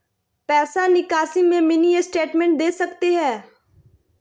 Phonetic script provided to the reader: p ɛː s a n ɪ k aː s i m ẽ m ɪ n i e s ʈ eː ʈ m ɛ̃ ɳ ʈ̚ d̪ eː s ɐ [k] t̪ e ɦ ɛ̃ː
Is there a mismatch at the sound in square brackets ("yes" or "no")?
no